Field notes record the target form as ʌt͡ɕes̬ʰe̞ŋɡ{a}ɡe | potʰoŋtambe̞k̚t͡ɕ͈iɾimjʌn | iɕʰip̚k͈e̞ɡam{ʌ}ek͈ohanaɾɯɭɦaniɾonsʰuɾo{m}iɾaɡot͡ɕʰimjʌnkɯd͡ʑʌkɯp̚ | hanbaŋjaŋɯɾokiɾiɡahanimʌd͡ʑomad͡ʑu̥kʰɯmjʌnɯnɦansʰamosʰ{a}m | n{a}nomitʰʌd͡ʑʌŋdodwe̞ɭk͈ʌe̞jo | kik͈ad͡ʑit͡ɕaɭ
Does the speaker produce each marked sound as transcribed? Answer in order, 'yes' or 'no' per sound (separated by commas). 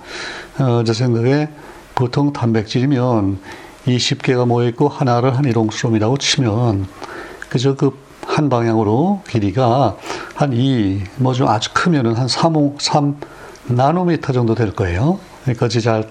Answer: yes, yes, yes, yes, yes